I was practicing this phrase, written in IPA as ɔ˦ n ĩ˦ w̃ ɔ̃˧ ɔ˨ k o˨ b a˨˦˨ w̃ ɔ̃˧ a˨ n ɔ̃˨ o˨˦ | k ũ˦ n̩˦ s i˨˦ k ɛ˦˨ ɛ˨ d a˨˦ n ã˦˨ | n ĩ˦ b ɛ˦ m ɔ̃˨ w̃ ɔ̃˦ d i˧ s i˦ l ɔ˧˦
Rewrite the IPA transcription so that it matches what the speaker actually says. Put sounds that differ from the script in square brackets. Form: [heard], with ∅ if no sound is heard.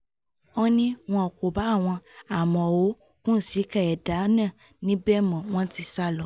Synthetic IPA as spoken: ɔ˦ n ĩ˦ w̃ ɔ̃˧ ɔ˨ k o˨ b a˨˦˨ w̃ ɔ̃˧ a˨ [m] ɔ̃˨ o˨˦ | k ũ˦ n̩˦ s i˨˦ k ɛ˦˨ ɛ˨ d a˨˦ n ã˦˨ | n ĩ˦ b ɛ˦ m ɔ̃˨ w̃ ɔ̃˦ [t] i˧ s [a˦] l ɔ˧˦